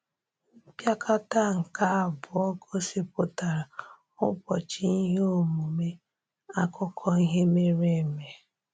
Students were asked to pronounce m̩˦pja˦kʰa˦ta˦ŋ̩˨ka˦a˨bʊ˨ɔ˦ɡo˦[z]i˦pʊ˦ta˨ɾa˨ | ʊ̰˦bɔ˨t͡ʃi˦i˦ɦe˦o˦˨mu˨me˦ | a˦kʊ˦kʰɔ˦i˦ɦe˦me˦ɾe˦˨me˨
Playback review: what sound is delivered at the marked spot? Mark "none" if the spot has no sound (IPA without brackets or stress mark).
s